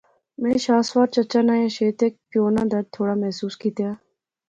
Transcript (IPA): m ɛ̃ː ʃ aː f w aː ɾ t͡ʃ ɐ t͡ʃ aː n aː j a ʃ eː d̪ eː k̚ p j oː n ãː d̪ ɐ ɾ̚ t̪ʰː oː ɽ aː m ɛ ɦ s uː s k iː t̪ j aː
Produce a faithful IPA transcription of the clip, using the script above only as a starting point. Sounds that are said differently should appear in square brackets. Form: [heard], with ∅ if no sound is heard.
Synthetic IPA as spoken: m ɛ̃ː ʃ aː [s] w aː ɾ t͡ʃ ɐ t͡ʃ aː n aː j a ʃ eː [t̪] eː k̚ p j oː n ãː d̪ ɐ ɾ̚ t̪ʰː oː ɽ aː m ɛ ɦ s uː s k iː t̪ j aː